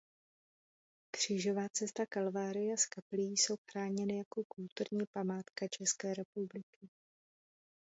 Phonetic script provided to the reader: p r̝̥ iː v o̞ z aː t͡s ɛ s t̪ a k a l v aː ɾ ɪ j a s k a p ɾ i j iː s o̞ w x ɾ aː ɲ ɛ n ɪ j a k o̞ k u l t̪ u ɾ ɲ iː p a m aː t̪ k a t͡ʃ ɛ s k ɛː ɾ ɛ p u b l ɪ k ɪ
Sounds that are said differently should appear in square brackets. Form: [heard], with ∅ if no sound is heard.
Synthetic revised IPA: [k] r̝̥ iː [ʒ] o̞ [v] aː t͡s ɛ s t̪ a k a l v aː ɾ ɪ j a s k a p [l] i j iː s o̞ w x ɾ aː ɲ ɛ n ɪ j a k o̞ k u l t̪ u ɾ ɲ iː p a m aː t̪ k a t͡ʃ ɛ s k ɛː ɾ ɛ p u b l ɪ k ɪ